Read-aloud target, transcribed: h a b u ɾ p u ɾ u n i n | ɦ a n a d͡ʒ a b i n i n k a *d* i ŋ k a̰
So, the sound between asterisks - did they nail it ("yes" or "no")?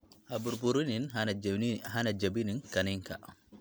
no